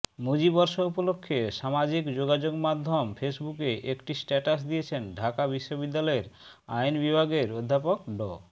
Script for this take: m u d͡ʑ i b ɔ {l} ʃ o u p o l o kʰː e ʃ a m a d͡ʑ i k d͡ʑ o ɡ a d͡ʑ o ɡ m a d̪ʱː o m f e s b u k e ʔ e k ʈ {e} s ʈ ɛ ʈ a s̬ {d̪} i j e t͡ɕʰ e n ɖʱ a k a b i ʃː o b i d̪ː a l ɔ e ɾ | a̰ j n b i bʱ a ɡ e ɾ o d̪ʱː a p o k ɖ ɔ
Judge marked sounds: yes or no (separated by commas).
no, no, yes